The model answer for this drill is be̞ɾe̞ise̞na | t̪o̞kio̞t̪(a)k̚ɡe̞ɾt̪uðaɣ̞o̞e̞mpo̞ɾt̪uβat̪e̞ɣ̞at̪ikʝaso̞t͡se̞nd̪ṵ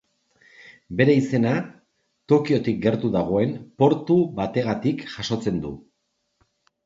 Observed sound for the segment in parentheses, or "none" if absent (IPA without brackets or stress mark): i